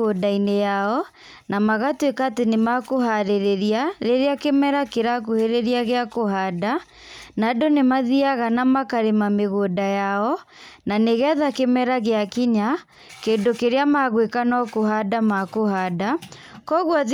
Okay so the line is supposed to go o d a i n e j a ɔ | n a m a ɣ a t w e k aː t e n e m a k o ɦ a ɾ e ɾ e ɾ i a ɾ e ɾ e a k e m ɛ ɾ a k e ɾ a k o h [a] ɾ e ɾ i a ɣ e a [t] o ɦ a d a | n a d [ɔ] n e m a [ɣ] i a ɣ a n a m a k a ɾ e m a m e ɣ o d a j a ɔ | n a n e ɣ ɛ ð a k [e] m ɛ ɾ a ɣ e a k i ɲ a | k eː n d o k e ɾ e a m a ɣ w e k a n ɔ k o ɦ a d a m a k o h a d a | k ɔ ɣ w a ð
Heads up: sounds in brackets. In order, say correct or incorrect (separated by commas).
incorrect, incorrect, incorrect, incorrect, correct